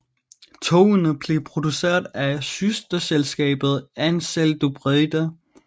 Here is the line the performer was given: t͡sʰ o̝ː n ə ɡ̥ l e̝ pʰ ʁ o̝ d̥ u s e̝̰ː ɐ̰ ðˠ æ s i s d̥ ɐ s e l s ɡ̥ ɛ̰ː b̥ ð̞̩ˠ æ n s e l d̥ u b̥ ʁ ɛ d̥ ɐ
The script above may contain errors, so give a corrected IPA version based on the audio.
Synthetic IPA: t͡sʰ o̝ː n ə b̥ l e̝ pʰ ʁ o̝ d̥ u s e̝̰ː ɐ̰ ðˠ æ s y s d̥ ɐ s e l s ɡ̥ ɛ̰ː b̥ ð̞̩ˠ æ n s e l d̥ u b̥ ʁ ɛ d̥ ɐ